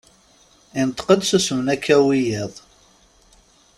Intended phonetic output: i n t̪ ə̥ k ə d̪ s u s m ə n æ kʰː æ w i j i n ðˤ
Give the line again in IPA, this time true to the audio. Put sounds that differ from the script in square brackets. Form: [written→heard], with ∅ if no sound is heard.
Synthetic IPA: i n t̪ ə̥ [k→q] ə d̪ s u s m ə n æ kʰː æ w i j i [n→∅] ðˤ